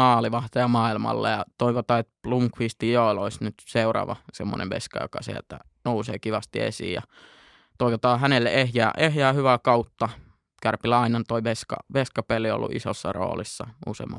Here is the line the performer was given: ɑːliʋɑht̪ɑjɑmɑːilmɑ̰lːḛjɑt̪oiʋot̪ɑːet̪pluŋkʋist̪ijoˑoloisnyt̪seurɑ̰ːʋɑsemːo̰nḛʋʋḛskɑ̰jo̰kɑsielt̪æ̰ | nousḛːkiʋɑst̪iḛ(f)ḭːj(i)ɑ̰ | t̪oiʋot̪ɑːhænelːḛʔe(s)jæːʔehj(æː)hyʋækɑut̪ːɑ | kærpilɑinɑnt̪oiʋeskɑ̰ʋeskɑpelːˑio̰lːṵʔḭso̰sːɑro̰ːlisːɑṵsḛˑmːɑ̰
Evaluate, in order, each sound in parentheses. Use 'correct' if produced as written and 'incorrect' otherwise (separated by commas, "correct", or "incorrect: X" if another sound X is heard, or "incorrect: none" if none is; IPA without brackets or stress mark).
incorrect: s, incorrect: j, incorrect: h, correct